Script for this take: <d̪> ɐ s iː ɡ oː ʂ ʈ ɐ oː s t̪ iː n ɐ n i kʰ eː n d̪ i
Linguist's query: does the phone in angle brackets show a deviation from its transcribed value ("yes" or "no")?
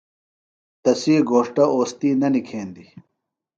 yes